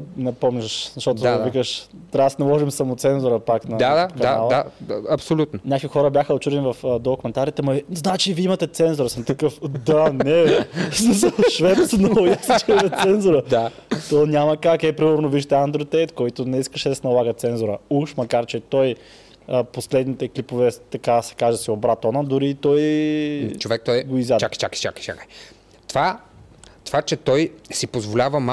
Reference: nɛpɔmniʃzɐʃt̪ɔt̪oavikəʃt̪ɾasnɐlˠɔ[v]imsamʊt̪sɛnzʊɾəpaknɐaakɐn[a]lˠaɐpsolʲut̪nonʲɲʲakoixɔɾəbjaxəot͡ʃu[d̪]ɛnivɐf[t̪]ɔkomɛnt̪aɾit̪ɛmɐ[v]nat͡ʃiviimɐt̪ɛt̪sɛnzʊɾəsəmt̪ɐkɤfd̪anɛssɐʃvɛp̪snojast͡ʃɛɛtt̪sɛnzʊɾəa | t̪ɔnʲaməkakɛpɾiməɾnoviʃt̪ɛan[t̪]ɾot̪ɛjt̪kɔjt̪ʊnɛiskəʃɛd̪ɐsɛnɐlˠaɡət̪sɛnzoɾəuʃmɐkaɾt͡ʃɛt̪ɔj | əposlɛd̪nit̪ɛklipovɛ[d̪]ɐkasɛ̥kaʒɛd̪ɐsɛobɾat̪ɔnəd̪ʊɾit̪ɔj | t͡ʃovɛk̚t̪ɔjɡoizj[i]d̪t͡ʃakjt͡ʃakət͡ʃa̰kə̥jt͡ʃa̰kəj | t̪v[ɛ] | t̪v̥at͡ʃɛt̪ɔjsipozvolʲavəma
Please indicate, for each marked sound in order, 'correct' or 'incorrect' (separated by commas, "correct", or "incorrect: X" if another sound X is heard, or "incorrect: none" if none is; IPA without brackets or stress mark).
incorrect: ʒ, correct, correct, incorrect: d̪, incorrect: z, incorrect: d̪, incorrect: t̪, incorrect: a, incorrect: a